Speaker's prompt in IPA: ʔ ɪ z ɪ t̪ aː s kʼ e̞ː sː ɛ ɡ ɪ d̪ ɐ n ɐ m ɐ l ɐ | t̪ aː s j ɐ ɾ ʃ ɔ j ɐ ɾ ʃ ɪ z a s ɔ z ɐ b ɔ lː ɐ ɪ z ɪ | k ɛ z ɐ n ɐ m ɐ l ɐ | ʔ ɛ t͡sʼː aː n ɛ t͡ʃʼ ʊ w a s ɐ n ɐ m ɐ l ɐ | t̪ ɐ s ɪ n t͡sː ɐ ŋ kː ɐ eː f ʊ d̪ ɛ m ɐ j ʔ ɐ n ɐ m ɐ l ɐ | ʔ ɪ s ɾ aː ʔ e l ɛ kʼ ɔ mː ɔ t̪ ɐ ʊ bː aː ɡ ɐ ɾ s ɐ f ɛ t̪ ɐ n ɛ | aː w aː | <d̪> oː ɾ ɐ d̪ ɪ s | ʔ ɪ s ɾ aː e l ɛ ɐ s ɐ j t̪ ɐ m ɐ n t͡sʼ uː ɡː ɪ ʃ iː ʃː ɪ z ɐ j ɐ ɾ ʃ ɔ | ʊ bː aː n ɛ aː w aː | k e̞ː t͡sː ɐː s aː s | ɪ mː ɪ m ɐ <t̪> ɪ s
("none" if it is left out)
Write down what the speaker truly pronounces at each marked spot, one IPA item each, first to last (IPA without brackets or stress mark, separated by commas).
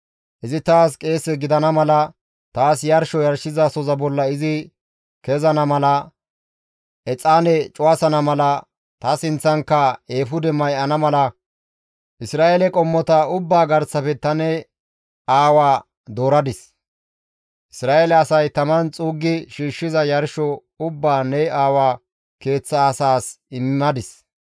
d̪, d̪